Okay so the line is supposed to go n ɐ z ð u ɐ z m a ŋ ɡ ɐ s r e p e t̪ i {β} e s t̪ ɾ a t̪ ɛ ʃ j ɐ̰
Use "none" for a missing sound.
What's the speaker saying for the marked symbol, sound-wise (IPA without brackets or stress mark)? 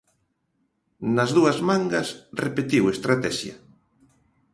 w